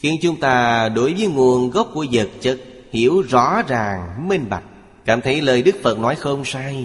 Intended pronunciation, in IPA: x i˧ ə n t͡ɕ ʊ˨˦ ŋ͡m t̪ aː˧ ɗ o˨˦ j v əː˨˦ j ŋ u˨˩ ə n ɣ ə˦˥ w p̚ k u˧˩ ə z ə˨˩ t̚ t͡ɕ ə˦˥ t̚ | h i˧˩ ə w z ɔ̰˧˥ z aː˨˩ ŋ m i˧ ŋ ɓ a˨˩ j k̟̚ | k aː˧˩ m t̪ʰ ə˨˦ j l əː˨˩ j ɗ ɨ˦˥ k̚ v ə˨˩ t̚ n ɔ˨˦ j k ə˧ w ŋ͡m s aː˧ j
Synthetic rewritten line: x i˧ ə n t͡ɕ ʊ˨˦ ŋ͡m t̪ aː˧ ɗ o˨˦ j v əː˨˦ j ŋ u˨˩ ə n ɣ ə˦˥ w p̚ k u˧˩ ə z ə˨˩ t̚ t͡ɕ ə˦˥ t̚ | h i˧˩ ə w z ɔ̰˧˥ z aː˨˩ ŋ m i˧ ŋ ɓ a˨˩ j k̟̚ | k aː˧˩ m t̪ʰ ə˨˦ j l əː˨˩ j ɗ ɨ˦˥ k̚ f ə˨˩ t̚ n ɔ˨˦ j x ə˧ w ŋ͡m s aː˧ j